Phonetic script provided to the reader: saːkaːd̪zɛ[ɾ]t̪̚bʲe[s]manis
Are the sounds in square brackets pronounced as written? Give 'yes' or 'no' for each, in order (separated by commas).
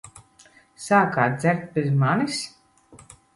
yes, no